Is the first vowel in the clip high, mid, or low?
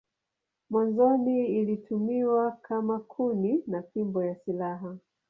low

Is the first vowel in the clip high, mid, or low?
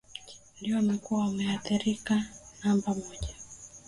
high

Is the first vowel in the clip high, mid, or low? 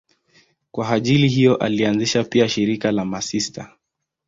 low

